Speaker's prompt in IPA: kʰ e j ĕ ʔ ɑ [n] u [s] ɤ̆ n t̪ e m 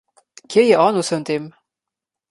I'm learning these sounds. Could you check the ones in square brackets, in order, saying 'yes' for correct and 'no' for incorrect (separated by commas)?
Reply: yes, yes